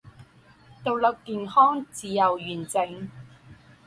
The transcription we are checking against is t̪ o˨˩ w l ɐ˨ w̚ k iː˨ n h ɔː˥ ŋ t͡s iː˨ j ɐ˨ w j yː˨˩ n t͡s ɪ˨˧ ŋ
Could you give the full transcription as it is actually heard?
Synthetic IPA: t̪ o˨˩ w l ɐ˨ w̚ k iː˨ n h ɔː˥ ŋ t͡s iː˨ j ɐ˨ w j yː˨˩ n t͡s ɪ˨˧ ŋ